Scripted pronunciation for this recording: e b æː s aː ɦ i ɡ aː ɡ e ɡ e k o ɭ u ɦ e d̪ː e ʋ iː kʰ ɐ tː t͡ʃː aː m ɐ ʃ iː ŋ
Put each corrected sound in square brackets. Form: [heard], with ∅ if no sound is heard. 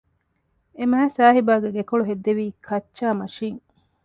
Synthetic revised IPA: e [m] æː s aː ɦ i [b] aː ɡ e ɡ e k o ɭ u ɦ e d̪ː e ʋ iː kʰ ɐ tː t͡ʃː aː m ɐ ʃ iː ŋ